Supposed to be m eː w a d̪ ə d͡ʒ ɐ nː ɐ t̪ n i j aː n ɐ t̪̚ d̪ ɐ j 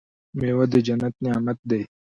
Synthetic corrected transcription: m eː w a d̪ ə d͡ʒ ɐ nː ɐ t̪ n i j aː m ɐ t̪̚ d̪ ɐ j

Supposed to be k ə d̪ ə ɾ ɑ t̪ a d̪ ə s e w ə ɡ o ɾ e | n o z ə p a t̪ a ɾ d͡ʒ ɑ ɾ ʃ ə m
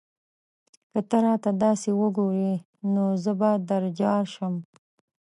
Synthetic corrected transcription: k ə t̪ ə ɾ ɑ t̪ a d̪ ɑ s e w ə ɡ o ɾ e | n o z ə b a d̪ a ɾ d͡ʒ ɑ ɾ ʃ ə m

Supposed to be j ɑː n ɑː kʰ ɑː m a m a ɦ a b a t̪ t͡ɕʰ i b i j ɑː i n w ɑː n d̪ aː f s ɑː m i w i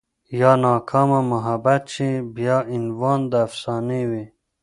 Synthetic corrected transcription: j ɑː n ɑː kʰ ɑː m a m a ɦ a b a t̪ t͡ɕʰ i b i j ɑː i n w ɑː n d̪ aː f s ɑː n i w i

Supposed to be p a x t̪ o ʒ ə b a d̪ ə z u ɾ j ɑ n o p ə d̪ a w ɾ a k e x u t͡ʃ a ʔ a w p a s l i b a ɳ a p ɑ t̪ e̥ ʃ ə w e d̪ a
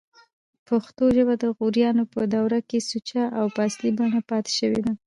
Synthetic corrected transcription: p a x t̪ o ʒ ə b a d̪ ə ɣ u ɾ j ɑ n o p ə d̪ a w ɾ a k e s u t͡ʃ a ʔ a w p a s l i b a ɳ a p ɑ t̪ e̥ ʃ ə w e d̪ a

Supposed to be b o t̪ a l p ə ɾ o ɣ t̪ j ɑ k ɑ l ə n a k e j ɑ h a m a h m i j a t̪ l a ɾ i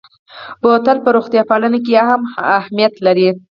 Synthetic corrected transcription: b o t̪ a l p ə ɾ o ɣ t̪ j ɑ p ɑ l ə n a k e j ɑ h a m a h m i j a t̪ l a ɾ i

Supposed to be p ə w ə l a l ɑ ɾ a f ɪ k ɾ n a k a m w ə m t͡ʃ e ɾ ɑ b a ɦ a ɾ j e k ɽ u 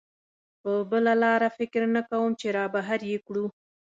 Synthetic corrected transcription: p ə b ə l a l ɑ ɾ a f ɪ k ɾ n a k a w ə m t͡ʃ e ɾ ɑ b a ɦ a ɾ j e k ɽ u

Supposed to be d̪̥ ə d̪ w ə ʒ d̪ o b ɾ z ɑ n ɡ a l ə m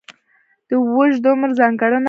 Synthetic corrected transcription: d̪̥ ə w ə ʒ d̪ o m ɾ z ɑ ŋ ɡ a ɽ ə n

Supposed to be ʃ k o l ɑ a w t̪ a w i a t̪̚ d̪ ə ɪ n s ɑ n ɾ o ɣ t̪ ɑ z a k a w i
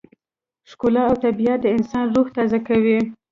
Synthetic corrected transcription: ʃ k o l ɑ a w t̪ a b i a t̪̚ d̪ ə ɪ n s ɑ n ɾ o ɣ t̪ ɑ z a k a w i

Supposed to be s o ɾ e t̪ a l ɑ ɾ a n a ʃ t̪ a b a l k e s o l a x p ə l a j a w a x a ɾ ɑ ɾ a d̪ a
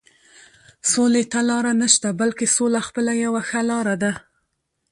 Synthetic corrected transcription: s o l e t̪ a l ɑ ɾ a n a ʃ t̪ a b a l k e s o l a x p ə l a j a w a x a l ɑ ɾ a d̪ a

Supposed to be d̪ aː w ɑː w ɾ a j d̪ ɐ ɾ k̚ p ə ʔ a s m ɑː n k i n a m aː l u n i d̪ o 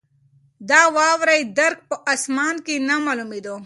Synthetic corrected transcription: d̪ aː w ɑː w ɾ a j d̪ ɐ ɾ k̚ p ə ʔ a s m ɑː n k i n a m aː l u m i d̪ o

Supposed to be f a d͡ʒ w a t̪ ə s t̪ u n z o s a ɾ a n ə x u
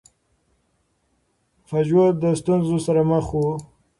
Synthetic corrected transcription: f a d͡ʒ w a d̪ ə s t̪ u n z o s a ɾ a m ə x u

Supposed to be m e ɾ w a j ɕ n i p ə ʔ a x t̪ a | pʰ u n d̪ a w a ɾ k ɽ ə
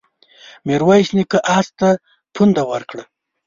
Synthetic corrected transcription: m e ɾ w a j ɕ n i k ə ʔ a s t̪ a | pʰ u n d̪ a w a ɾ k ɽ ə

